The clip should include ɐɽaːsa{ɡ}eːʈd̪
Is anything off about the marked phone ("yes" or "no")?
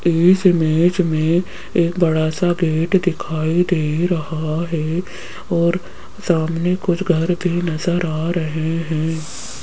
no